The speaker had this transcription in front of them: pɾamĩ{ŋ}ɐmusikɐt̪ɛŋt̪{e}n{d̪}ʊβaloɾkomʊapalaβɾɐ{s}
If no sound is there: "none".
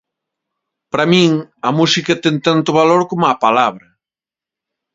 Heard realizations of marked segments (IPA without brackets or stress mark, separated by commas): ŋ, a, t̪, none